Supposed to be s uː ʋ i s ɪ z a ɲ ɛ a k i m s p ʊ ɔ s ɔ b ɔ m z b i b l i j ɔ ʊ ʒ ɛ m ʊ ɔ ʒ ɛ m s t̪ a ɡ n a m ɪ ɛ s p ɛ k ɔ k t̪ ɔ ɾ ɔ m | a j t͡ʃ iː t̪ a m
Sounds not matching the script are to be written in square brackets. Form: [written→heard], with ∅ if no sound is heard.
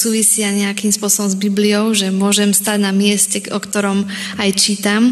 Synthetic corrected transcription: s uː ʋ i s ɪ [z→∅] a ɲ ɛ a k i m s p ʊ ɔ s ɔ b ɔ m z b i b l i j ɔ ʊ ʒ ɛ m ʊ ɔ ʒ ɛ m s t̪ a [ɡ→ɟ] n a m ɪ ɛ s [p→c] ɛ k ɔ k t̪ ɔ ɾ ɔ m | a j t͡ʃ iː t̪ a m